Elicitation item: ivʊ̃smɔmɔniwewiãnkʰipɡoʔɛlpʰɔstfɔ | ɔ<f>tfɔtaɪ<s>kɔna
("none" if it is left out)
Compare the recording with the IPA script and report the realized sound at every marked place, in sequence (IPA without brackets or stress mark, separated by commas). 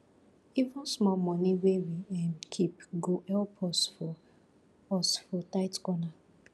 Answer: s, t